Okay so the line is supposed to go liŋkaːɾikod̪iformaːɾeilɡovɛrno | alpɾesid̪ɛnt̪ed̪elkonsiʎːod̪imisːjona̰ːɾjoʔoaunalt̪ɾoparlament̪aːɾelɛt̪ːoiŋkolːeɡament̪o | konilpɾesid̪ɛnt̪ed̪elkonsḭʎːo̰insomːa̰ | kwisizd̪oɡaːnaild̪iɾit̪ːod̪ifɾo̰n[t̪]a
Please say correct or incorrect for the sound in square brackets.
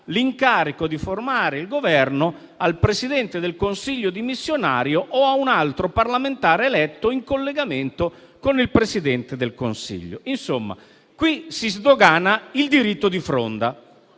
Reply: incorrect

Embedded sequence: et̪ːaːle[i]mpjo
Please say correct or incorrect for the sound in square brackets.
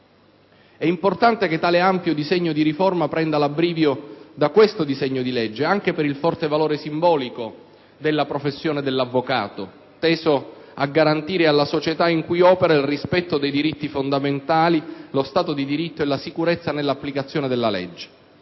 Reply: incorrect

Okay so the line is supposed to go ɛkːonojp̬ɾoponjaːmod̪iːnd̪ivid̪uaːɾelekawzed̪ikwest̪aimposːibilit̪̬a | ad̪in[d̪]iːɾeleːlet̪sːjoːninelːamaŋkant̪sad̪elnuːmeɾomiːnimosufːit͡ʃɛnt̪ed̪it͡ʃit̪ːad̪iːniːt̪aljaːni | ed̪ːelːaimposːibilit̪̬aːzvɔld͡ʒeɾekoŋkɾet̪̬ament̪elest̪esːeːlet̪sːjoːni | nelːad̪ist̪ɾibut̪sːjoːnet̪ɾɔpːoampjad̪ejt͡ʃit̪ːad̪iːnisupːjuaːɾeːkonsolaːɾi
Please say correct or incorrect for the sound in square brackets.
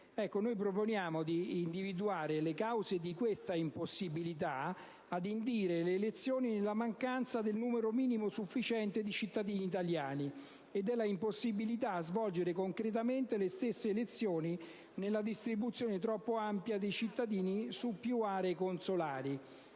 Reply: correct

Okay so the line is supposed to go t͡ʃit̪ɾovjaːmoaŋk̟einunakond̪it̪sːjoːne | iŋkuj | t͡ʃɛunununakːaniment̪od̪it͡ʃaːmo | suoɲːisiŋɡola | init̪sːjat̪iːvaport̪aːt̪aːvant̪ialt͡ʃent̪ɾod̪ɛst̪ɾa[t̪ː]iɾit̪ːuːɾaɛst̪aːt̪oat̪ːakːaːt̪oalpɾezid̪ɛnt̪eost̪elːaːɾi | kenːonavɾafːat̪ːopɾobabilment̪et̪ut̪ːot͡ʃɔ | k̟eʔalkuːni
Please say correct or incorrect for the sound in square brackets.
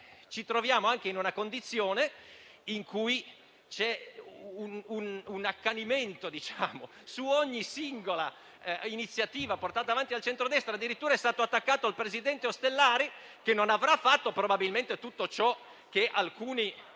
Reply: incorrect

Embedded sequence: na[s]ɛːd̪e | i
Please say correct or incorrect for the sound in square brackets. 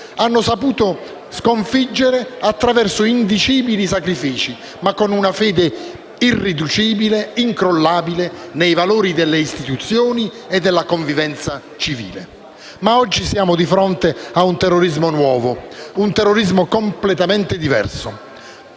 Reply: incorrect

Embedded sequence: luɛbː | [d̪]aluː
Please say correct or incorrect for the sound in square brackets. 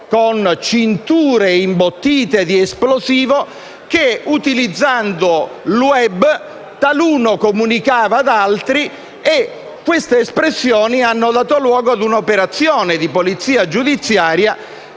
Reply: incorrect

